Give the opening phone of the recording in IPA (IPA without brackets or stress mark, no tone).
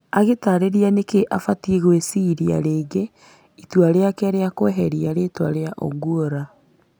a